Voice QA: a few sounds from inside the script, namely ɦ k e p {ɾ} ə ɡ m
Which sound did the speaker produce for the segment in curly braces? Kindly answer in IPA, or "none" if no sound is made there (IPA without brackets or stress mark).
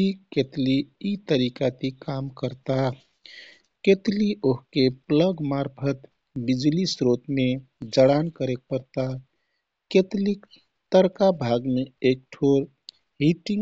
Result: l